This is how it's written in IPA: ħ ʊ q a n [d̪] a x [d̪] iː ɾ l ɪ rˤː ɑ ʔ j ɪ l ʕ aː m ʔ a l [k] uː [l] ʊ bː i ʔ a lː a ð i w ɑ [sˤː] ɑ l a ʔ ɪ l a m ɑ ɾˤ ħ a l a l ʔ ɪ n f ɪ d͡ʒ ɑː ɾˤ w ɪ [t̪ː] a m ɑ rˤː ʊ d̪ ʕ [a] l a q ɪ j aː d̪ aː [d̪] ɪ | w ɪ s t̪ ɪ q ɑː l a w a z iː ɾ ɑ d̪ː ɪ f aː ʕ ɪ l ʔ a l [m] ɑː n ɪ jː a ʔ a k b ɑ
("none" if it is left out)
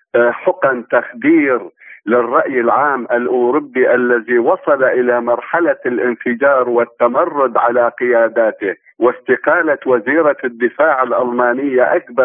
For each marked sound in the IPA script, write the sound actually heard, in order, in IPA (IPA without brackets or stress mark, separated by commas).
t̪, d̪, ʔ, ɾ, sˤ, t̪ː, a, t̪, m